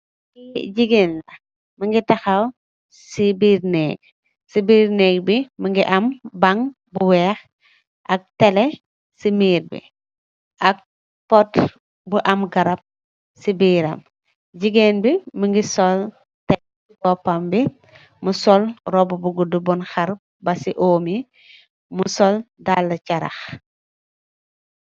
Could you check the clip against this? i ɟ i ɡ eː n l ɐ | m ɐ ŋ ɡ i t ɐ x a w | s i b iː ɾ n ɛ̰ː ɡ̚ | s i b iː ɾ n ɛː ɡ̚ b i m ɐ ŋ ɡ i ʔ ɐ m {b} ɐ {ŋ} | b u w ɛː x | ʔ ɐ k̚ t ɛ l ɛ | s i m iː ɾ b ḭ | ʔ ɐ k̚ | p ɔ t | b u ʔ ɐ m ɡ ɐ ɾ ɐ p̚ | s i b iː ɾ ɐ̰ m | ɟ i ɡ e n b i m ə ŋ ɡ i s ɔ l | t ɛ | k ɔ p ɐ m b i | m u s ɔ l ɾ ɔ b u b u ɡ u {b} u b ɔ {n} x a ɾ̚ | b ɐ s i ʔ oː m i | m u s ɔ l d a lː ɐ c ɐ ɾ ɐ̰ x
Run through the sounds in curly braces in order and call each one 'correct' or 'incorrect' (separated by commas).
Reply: correct, correct, incorrect, correct